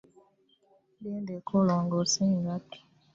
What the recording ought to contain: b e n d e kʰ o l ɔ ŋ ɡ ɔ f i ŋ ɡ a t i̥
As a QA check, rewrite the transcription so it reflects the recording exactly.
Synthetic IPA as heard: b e n d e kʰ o l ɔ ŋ ɡ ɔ s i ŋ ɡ a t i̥